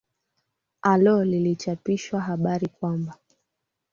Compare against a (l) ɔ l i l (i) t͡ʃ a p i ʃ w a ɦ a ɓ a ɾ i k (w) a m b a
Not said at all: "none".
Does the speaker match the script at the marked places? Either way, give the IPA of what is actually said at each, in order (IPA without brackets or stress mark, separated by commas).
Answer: l, i, w